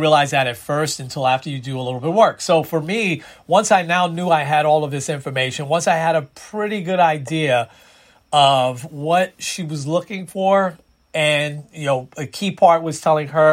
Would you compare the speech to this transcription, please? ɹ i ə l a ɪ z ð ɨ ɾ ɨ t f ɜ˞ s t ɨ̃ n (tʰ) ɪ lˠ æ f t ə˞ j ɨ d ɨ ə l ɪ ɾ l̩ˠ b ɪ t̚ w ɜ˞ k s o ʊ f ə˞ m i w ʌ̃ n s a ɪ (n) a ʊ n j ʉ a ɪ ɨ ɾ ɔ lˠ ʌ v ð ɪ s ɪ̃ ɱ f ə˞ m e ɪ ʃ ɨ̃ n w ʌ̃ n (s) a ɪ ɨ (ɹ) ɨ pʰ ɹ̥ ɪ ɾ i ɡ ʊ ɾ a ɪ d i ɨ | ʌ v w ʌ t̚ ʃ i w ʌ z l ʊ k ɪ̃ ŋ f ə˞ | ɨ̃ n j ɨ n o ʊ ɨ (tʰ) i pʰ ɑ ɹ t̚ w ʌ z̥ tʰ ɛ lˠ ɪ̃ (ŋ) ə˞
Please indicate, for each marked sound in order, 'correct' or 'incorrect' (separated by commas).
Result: correct, correct, correct, incorrect, incorrect, correct